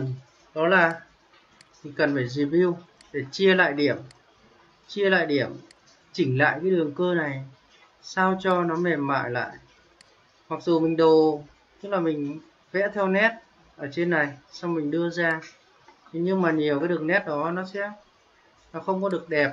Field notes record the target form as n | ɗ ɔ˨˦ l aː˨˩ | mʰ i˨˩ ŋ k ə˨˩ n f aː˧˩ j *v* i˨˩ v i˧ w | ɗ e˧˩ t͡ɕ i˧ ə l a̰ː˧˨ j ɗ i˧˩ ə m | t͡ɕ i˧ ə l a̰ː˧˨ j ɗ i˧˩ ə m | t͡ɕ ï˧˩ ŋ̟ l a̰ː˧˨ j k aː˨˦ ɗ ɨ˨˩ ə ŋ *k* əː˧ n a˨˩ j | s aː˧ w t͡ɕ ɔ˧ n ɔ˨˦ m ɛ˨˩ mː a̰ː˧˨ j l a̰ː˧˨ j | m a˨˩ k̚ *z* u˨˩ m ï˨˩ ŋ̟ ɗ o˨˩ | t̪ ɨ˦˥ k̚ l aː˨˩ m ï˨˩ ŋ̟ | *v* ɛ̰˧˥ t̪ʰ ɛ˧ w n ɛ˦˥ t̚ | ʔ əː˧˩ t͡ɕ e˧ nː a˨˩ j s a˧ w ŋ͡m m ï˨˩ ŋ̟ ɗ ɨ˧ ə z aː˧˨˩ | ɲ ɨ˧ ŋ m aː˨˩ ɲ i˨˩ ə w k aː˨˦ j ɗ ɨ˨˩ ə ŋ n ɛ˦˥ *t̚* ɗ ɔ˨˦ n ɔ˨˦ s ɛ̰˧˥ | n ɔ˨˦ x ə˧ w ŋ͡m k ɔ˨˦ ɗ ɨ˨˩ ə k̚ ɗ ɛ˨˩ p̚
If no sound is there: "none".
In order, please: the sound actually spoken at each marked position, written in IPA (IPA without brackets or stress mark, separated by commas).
z, k, z, v, t̚